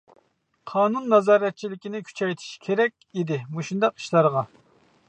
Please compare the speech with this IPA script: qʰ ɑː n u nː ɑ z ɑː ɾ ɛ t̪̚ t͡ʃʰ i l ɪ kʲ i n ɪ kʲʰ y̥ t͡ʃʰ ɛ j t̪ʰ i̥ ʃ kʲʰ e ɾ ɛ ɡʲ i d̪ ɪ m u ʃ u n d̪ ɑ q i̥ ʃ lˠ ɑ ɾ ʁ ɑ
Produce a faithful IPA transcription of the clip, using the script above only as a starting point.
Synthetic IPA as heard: qʰ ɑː n u nː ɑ z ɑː ɾ ɛ t̪̚ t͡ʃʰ i l ɪ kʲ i n ɪ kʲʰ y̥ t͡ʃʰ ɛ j t̪ʰ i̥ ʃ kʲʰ e ɾ ɛ kʲ i d̪ ɪ m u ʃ u n d̪ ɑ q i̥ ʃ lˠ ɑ ɾ ʁ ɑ